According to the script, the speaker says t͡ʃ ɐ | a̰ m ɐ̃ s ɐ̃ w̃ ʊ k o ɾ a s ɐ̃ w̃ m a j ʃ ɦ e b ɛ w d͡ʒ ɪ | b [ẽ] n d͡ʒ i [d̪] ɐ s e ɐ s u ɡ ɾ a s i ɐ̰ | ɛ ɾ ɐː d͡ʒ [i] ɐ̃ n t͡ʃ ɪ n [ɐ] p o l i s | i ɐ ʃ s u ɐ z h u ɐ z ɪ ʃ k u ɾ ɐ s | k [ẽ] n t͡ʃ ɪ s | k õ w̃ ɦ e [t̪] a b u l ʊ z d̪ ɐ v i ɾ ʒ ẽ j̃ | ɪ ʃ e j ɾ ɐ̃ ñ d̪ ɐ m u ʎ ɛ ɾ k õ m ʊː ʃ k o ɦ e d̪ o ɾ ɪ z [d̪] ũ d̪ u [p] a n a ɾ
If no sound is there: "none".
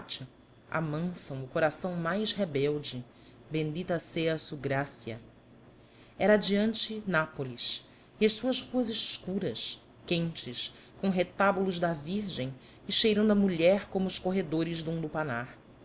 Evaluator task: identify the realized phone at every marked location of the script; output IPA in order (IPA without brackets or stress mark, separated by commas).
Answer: ẽ, t̪, i, a, ẽ, t̪, d̪, p